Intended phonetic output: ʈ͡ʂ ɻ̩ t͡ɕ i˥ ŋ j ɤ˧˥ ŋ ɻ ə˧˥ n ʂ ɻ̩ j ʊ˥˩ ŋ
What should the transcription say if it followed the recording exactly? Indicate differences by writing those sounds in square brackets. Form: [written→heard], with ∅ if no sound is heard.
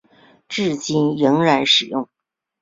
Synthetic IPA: ʈ͡ʂ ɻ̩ t͡ɕ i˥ [ŋ→n] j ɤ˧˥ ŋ ɻ [ə˧˥→a˧˥] n ʂ ɻ̩ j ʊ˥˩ ŋ